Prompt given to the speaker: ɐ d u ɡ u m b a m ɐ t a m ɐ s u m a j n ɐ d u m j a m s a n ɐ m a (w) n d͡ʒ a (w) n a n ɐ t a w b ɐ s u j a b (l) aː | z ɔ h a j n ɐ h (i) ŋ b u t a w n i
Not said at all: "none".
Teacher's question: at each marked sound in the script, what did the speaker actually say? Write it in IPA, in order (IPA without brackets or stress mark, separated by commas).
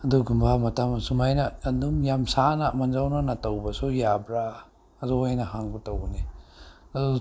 none, w, ɾ, a